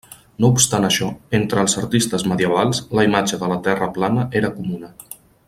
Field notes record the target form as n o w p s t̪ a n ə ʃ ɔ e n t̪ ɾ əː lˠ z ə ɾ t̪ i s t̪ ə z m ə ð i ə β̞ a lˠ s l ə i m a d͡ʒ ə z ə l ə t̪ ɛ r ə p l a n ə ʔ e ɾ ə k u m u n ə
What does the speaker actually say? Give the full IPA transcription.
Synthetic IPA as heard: n o u p s t̪ a n ə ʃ ɔ e n t̪ ɾ əː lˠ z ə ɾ t̪ i s t̪ ə z m ə ð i ə β̞ a lˠ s l ə i m a d͡ʒ ə ð ə l ə t̪ ɛ r ə p l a n ə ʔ e ɾ ə k u m u n ə